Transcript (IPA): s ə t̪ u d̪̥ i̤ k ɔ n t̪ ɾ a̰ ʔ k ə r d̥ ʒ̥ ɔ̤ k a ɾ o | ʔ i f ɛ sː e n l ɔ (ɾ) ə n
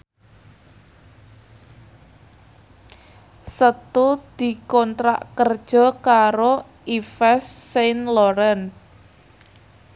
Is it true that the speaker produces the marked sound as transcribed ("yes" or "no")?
yes